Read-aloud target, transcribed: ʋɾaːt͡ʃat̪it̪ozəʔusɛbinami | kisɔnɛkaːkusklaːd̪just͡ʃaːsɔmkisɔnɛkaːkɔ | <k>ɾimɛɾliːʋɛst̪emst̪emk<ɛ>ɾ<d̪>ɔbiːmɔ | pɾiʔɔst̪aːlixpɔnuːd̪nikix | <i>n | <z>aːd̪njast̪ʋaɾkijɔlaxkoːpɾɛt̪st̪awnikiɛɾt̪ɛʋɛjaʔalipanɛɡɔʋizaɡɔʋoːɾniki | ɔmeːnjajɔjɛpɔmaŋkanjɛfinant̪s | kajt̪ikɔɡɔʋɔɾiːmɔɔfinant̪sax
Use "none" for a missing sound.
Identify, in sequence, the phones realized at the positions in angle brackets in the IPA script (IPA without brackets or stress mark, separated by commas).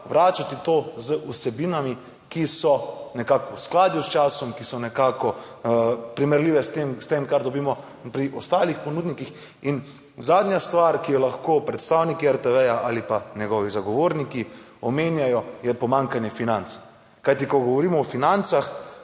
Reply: p, a, d̪, i, z